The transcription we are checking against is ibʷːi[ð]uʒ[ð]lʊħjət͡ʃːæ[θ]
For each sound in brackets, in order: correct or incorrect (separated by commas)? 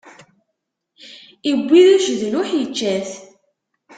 correct, correct, correct